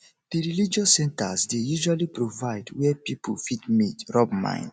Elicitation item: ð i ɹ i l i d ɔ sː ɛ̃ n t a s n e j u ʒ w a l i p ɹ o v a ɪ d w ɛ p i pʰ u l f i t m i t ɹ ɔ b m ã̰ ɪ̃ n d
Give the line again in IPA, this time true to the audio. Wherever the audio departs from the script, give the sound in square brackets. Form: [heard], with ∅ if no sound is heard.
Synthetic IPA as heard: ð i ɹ i l i [d͡ʒ] ɔ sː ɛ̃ n t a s [d] e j u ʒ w a l i p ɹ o v a ɪ d w ɛ p i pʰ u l f i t m i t ɹ ɔ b m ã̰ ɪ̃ n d